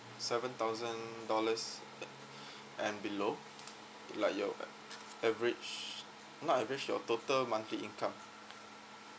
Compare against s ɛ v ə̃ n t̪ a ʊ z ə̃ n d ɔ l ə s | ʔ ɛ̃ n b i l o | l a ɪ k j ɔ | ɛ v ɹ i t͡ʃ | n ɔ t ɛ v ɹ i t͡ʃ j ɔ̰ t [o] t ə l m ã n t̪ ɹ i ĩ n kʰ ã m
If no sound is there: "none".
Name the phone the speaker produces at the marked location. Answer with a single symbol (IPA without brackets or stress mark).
o